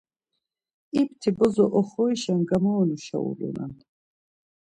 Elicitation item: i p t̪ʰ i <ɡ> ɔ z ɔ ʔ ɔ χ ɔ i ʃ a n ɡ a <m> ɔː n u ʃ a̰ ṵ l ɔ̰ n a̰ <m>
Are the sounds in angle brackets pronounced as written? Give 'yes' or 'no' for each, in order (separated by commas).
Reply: no, yes, no